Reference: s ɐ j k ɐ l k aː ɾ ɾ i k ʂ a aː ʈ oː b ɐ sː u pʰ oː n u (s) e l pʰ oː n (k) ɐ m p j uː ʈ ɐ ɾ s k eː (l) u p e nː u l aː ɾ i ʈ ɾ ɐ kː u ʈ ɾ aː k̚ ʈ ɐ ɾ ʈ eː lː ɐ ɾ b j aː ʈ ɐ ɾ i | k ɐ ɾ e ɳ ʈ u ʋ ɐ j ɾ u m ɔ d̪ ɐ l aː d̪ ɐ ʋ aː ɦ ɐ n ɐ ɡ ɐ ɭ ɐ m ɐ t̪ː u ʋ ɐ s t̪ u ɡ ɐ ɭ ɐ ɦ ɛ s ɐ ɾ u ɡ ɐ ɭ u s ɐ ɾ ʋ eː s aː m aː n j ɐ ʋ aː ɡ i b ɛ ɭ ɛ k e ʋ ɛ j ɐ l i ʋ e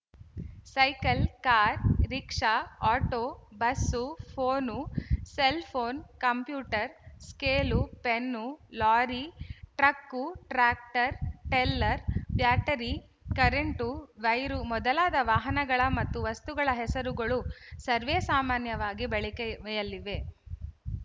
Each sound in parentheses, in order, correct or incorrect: correct, correct, correct

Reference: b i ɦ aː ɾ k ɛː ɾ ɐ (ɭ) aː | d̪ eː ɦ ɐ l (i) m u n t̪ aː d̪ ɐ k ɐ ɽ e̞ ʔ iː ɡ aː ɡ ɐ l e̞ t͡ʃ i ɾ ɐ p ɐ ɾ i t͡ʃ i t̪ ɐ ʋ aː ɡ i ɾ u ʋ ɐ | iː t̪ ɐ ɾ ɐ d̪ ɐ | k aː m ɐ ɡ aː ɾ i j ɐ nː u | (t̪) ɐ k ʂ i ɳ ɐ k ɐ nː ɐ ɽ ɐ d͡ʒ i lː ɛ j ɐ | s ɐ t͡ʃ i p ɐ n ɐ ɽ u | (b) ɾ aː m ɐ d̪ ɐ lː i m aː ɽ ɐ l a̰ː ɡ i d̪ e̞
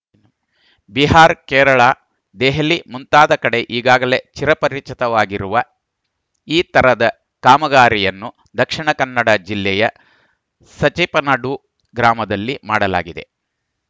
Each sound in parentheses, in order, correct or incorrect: correct, correct, incorrect, incorrect

